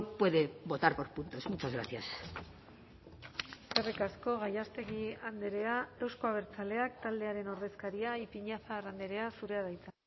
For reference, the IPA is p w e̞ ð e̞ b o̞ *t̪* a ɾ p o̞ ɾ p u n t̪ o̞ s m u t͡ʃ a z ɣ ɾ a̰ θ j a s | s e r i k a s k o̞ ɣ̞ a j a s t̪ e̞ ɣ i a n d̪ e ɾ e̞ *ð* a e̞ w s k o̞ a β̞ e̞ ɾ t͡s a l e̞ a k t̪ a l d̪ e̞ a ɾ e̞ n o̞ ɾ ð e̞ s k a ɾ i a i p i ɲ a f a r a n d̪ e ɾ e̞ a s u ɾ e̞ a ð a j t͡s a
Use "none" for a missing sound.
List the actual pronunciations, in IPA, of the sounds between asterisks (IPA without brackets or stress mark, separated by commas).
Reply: t̪, none